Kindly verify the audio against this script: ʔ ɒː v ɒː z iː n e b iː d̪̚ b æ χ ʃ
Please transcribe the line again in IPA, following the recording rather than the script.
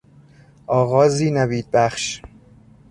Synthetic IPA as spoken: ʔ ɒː ɣ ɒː z iː n æ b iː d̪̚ b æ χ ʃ

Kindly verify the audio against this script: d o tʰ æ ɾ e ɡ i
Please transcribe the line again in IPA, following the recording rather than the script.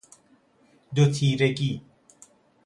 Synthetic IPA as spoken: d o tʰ i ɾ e k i

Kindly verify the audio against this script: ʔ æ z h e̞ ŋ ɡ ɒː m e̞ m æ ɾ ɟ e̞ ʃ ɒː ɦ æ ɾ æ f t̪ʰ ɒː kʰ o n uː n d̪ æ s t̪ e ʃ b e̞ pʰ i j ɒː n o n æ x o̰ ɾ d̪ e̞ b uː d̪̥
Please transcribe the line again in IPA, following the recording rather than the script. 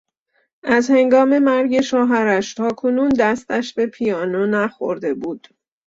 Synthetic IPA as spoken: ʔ æ z h e̞ ŋ ɡ ɒː m e̞ m æ ɾ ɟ e̞ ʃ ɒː ɦ æ ɾ æ ʃ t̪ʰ ɒː kʰ o n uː n d̪ æ s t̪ æ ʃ b e̞ pʰ i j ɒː n o n æ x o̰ ɾ d̪ e̞ b uː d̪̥

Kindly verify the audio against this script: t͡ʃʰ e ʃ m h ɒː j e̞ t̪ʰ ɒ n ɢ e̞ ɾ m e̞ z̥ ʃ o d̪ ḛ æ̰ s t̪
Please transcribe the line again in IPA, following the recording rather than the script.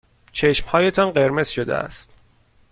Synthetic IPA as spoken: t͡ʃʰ e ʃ m h ɒː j e̞ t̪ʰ ɒ n ɢ e̞ ɾ m e̞ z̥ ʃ o d̪ ḛ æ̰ s t̪

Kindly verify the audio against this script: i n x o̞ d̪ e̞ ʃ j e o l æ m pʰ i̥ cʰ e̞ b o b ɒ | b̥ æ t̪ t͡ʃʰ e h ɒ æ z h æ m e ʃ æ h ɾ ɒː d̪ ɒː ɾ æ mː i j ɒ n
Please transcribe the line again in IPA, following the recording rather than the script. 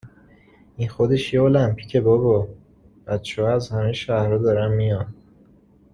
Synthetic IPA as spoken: i n x o̞ d̪ e̞ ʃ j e o l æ m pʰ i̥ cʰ e̞ b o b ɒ | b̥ æ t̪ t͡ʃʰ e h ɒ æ z h æ m e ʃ æ h ɾ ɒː d̪ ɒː ɾ æ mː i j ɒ n

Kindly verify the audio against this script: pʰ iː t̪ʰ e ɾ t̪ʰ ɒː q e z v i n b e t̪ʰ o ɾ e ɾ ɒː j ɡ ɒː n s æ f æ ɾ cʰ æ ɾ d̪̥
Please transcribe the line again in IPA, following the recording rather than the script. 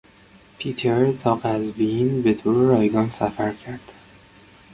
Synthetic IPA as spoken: pʰ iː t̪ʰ e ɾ t̪ʰ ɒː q æ z v i n b e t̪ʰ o ɾ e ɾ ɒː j ɡ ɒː n s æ f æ ɾ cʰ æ ɾ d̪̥

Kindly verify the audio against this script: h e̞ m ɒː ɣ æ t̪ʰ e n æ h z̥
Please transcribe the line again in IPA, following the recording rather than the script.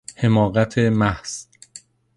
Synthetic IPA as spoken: h e̞ m ɒː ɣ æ t̪ʰ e m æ h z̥

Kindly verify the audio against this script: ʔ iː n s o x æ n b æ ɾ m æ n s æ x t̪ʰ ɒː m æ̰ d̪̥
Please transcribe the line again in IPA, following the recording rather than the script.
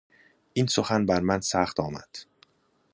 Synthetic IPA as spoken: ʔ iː n s o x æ n b æ ɾ m æ n s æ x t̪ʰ ɒː m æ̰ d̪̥

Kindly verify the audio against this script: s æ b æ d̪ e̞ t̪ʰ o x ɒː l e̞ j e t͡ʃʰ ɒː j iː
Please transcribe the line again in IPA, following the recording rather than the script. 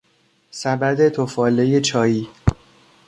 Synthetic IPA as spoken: s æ b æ d̪ e̞ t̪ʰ o f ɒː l e̞ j e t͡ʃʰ ɒː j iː

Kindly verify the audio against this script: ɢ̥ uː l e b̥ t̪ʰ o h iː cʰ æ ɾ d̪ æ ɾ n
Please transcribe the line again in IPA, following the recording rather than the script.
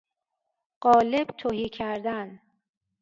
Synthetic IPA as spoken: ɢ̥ ɒː l e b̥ t̪ʰ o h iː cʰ æ ɾ d̪ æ n

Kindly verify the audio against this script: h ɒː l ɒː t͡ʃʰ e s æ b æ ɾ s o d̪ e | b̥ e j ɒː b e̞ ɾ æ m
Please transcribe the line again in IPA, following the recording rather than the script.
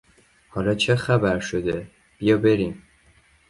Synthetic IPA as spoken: h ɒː l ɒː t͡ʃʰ e x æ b æ ɾ ʃ o d̪ e | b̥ i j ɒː b e̞ ɾ i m

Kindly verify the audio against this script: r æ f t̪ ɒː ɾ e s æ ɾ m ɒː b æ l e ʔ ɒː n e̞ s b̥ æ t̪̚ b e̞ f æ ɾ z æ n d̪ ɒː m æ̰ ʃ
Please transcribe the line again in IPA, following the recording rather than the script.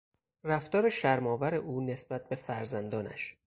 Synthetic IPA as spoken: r æ f t̪ ɒː ɾ e ʃ æ ɾ m ɒː v æ ɾ e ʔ uː n e̞ s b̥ æ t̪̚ b e̞ f æ ɾ z æ n d̪ ɒː n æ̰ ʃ

